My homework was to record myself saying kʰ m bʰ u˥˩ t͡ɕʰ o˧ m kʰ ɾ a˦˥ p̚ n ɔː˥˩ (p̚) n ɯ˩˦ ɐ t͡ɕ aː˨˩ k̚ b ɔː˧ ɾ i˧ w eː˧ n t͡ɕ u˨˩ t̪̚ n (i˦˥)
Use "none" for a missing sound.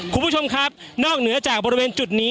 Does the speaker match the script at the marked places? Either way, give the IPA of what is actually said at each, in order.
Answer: k̚, iː˦˥

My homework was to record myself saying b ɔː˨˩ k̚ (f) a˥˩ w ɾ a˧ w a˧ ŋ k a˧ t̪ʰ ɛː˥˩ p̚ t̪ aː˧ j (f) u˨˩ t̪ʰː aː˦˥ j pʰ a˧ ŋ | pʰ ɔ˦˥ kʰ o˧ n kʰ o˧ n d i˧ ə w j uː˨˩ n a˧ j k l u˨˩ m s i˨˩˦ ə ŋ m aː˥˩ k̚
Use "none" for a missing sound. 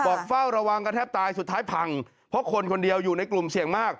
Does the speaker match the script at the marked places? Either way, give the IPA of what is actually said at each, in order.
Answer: f, s

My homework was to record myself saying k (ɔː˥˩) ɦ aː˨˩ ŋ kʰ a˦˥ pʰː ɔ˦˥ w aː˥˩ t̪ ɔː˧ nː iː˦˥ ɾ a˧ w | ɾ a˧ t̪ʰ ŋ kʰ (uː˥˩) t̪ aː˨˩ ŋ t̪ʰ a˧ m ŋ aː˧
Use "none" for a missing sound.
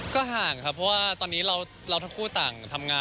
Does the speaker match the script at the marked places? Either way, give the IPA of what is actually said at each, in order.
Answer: ɔː˥˩, uː˥˩

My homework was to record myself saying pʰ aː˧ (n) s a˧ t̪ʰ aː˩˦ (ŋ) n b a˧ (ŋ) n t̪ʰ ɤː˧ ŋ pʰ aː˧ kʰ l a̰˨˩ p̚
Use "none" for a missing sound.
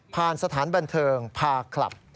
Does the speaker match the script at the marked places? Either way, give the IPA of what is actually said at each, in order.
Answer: n, none, none

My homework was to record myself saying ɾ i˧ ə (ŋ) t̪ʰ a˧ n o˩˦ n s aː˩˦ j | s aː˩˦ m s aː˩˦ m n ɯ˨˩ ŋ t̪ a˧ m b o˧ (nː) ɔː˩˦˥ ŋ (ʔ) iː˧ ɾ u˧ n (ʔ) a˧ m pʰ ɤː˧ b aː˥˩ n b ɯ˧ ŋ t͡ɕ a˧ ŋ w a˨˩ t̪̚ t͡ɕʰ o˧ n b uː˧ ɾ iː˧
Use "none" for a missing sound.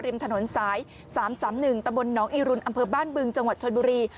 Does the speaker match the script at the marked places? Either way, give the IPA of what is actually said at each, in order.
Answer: m, nː, ʔ, ʔ

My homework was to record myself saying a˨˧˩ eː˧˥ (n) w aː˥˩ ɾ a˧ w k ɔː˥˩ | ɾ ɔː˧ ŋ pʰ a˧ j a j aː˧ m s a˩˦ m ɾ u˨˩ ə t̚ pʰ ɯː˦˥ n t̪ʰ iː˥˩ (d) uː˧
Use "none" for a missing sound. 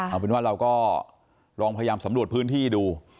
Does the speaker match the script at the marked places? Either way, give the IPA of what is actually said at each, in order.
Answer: n, d

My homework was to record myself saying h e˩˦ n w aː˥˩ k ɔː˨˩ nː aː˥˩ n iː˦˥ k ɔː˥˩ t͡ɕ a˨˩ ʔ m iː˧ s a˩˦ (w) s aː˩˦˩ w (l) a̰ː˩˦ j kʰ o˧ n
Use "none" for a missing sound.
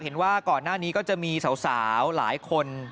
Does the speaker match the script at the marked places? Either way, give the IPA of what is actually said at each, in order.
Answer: w, l

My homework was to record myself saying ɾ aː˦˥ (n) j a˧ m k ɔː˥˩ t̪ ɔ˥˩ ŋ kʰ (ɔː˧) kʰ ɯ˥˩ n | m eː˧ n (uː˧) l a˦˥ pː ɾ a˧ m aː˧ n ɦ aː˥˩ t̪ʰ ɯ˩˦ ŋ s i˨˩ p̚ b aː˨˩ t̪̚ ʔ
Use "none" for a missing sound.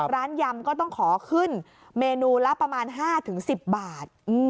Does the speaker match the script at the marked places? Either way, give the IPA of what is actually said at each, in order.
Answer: n, ɔː˩˦, uː˧

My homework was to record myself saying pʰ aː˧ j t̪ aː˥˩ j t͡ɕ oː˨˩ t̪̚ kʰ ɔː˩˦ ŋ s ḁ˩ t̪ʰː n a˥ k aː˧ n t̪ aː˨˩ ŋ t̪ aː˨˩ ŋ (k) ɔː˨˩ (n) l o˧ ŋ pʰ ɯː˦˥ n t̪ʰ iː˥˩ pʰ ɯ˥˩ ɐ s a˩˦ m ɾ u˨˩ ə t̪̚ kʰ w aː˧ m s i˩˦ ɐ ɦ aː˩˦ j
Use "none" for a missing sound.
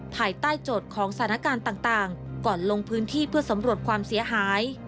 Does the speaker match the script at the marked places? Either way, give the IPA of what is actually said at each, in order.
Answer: k, n

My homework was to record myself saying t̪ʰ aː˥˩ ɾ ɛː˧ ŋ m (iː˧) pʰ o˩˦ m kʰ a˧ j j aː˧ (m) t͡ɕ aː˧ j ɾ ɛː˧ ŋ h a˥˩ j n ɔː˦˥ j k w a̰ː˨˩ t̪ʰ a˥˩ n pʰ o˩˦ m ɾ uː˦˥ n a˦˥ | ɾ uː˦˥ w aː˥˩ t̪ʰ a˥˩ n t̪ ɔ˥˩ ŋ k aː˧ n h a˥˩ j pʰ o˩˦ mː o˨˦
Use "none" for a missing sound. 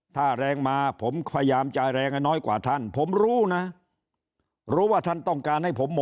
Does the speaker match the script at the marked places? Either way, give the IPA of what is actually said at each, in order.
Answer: aː˧, m

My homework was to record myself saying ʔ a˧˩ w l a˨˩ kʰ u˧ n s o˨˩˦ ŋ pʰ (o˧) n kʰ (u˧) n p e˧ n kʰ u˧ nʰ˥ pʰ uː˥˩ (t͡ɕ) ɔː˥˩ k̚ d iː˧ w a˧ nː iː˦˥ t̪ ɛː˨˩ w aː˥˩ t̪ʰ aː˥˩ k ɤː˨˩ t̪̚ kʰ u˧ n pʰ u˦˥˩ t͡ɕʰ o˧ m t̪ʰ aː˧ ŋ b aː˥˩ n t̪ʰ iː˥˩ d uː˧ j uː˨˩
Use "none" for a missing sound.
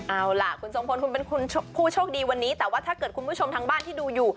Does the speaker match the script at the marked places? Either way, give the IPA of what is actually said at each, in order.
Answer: o˧, u˧, t͡ɕʰ

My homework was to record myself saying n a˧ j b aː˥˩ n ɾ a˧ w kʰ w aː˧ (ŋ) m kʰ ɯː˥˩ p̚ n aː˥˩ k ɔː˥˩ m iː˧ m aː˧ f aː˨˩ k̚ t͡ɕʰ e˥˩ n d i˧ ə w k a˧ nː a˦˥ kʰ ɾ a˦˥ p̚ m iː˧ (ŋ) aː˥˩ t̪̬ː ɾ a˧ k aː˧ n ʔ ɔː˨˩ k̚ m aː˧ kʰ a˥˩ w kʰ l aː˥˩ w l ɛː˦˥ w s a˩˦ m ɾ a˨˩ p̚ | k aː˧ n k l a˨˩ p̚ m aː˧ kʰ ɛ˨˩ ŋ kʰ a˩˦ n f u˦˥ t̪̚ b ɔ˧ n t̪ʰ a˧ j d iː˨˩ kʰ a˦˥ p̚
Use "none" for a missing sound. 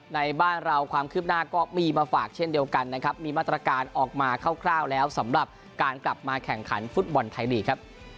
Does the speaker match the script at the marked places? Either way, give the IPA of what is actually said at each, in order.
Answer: none, m

